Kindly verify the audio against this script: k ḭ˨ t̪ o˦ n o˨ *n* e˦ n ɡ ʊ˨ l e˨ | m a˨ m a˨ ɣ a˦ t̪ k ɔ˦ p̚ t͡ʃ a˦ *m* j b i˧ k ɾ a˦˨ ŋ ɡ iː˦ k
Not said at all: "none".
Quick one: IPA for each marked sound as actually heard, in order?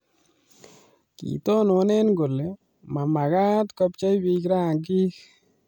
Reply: n, none

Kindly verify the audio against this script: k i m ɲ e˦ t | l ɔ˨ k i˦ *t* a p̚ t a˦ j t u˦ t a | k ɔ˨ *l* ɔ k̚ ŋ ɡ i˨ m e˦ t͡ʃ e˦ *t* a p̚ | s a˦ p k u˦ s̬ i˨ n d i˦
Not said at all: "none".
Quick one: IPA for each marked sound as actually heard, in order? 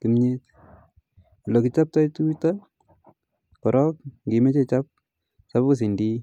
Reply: t͡ʃ, ɾ, t͡ʃ

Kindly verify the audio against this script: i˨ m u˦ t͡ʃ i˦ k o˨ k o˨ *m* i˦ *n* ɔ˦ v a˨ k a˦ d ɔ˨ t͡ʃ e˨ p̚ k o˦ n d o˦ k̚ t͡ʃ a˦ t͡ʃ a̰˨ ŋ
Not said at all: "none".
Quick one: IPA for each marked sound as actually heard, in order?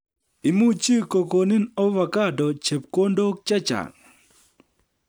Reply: n, n

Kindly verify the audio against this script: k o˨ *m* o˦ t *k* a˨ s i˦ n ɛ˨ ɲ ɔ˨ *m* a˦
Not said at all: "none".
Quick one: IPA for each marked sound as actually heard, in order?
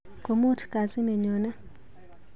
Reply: m, k, n

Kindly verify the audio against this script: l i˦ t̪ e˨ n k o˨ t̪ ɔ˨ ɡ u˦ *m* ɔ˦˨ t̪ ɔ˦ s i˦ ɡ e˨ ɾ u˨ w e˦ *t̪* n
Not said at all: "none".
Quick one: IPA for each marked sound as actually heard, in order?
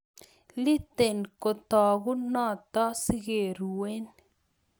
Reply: n, none

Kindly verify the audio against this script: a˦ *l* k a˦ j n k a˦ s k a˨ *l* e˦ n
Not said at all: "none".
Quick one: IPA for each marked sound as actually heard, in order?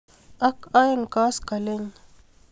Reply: none, l

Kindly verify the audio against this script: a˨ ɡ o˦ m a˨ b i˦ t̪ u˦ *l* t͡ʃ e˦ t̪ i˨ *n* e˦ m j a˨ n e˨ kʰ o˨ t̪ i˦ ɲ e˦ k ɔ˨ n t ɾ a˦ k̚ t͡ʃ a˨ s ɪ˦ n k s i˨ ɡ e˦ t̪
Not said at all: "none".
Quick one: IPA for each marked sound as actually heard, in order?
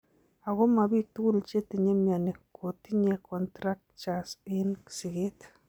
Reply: l, ɲ

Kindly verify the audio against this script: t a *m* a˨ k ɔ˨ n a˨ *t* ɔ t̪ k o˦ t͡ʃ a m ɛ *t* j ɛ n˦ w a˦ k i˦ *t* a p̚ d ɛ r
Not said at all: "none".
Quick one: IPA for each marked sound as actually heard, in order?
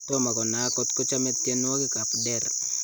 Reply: m, k, t, k

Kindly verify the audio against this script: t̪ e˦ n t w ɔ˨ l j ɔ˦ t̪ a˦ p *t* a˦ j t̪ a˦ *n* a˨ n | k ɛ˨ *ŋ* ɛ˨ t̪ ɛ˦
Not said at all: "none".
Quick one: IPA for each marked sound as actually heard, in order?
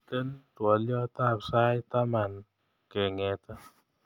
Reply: s, m, ŋ

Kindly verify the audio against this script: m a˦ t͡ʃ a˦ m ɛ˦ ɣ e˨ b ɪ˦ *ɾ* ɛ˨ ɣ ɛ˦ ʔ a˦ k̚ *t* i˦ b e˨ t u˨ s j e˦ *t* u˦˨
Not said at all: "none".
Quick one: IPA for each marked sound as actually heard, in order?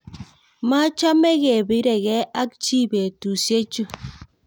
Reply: ɾ, t͡ʃ, t͡ʃ

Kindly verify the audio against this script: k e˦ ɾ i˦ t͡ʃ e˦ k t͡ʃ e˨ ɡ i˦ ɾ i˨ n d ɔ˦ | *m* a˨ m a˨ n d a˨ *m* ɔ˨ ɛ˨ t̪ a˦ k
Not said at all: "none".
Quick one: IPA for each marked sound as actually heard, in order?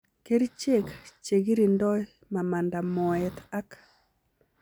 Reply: m, m

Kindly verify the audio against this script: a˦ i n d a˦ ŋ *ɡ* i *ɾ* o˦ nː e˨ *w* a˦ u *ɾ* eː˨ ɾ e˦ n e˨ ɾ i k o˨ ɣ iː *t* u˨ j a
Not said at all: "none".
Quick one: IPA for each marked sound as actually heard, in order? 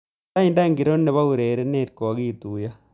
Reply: ɡ, ɾ, β, ɾ, t

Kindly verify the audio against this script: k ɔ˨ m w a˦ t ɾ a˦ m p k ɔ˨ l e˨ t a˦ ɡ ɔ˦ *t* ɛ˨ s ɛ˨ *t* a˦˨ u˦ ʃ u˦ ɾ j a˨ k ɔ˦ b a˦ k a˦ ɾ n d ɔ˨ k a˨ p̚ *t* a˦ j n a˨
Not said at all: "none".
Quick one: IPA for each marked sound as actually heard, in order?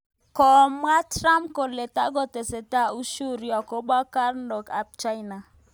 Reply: t, t, t͡ʃ

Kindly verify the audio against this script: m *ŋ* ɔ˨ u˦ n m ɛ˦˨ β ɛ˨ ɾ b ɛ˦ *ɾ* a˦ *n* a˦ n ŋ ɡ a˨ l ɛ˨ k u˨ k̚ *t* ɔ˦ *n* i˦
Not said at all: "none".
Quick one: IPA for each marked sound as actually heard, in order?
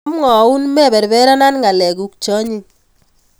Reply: ŋ, ɾ, n, t͡ʃ, ɲ

